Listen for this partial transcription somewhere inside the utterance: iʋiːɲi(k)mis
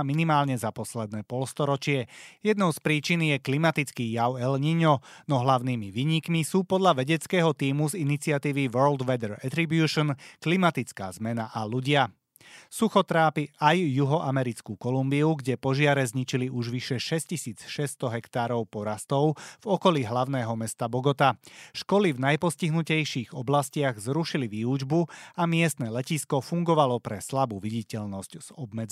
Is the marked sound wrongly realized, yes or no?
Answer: no